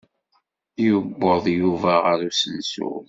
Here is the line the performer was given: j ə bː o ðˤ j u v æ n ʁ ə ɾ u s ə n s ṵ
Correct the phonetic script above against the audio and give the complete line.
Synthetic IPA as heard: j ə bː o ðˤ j u v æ ʁ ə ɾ u s ə n s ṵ